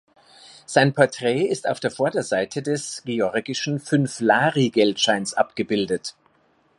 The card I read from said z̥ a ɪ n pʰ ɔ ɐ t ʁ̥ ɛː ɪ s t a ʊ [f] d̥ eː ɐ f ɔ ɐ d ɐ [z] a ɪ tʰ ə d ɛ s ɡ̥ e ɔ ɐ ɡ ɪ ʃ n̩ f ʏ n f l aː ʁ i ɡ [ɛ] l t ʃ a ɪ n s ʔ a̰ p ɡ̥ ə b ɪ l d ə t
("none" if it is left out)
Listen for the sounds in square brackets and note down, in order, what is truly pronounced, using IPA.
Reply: f, z, ɛ

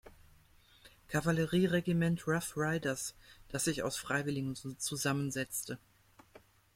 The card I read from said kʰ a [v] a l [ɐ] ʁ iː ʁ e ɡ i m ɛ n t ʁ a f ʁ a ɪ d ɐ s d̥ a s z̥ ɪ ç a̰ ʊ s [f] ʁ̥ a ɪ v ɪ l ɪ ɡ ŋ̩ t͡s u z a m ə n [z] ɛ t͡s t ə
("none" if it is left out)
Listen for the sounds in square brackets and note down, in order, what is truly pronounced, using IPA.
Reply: v, ə, f, z

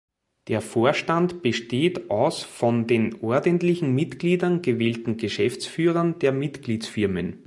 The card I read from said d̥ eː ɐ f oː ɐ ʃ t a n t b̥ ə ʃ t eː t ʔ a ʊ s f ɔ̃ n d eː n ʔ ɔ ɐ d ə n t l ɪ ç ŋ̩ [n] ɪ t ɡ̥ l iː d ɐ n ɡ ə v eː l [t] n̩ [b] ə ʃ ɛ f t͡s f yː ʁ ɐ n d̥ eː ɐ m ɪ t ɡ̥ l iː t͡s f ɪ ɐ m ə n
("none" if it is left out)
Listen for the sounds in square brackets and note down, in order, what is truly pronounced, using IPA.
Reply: m, t, ɡ

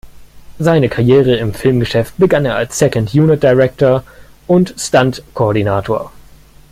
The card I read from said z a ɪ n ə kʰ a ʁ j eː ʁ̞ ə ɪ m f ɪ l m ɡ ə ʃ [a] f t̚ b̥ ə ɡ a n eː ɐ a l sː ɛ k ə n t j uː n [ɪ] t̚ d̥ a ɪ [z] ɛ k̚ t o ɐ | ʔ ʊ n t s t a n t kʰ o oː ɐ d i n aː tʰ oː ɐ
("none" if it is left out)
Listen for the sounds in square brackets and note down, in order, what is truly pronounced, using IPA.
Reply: ɛ, ɪ, ʁ

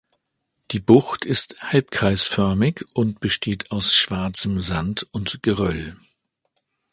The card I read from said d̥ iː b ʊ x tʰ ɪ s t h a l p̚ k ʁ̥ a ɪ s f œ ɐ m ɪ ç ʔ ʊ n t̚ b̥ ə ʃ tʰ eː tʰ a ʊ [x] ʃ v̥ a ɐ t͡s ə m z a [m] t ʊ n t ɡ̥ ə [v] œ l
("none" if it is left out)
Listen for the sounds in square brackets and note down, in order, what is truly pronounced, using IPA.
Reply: s, n, ʁ

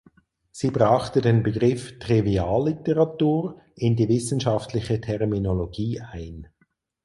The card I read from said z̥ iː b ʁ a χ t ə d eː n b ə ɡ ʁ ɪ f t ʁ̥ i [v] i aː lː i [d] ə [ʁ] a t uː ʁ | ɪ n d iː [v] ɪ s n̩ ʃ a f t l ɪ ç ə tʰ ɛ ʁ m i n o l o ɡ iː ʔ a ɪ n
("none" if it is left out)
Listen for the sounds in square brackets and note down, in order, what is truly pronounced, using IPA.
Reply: v, t, ʁ, v

